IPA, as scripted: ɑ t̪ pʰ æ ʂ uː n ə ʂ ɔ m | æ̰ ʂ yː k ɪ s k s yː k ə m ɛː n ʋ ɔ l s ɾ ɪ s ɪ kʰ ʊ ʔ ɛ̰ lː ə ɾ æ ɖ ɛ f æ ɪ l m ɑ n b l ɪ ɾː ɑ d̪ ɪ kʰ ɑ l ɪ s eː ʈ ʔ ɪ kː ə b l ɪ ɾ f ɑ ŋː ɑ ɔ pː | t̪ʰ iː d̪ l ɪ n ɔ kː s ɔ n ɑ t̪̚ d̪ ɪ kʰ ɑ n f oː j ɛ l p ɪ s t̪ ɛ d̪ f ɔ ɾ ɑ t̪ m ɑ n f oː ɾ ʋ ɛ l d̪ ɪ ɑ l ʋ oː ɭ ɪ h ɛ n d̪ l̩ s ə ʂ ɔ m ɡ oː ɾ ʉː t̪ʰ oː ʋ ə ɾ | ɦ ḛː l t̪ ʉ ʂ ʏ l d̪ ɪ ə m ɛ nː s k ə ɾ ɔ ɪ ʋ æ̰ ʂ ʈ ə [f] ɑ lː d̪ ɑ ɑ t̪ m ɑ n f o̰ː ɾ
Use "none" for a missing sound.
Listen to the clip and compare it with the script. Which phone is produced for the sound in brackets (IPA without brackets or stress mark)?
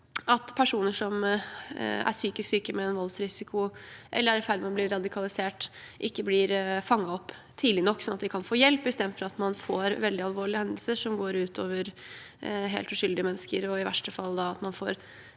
f